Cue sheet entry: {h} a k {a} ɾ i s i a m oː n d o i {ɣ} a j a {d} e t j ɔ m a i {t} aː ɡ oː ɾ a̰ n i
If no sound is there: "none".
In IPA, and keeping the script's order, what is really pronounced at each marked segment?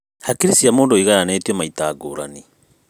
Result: h, i, ɣ, n, t

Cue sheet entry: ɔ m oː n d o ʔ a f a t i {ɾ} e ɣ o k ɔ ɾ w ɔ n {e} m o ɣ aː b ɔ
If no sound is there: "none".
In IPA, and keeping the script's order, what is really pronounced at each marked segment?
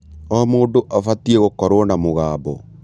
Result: none, a

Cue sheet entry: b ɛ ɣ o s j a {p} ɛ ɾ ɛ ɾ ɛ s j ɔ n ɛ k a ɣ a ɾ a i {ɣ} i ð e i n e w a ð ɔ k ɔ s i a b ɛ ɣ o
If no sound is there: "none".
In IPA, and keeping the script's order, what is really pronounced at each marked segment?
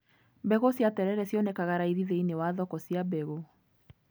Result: t, ð

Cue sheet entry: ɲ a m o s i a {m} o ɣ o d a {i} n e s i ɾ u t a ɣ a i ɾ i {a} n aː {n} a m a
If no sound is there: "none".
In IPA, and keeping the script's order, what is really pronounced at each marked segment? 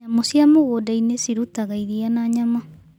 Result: m, i, a, ɲ

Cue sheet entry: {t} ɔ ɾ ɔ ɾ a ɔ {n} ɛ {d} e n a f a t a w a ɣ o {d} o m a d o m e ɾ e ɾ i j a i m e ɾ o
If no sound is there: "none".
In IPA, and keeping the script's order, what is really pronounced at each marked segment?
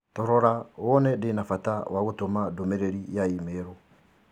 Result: t, n, d, t

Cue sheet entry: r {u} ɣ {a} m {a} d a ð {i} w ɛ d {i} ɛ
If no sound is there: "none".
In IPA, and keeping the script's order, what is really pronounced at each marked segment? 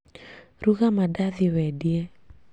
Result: u, a, a, i, i

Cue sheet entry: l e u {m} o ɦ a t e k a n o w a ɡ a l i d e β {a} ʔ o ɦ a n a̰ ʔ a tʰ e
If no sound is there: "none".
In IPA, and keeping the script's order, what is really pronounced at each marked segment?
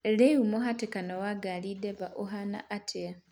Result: m, a

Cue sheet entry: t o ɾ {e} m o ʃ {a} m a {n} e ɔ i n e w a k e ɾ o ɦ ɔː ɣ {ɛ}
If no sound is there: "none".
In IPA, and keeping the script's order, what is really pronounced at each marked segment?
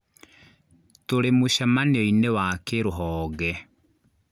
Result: e, a, n, ɛ

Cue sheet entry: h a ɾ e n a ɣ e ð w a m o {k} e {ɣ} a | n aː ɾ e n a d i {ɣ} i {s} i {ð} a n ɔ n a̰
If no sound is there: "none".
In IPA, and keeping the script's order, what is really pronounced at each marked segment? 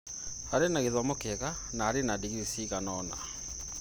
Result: k, ɣ, ɣ, s, ɣ

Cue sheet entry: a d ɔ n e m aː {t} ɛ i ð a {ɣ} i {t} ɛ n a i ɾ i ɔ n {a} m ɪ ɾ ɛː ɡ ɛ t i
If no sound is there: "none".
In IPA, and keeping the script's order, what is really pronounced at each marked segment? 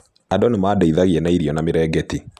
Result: d, ɣ, none, a

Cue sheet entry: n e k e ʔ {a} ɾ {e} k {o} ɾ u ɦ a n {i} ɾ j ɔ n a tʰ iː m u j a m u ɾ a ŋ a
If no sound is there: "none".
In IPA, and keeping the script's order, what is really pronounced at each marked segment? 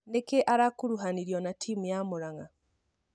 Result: a, a, u, i

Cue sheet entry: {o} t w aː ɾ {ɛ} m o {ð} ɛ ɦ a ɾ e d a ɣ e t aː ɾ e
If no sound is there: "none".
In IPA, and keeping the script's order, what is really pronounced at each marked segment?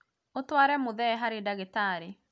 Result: o, ɛ, ð

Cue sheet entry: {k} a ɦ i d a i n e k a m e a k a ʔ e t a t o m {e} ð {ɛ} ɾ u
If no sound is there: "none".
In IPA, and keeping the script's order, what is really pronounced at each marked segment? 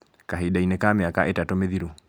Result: k, e, i

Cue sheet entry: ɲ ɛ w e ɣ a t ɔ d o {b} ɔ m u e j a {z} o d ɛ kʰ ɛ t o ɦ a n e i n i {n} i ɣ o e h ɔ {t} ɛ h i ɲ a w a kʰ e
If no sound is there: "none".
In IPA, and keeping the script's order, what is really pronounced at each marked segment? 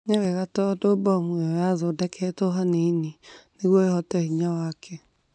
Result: b, z, n, t

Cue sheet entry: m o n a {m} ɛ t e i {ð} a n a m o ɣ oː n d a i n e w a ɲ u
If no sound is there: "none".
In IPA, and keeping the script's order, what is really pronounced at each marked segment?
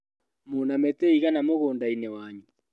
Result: m, ɣ

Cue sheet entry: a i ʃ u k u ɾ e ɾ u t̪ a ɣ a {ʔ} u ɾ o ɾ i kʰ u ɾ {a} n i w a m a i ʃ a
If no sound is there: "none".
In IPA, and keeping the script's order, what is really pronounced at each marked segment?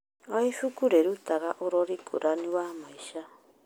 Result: ʔ, a

